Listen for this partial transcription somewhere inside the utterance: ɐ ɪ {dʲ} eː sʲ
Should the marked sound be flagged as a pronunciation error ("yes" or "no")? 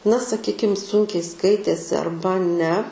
yes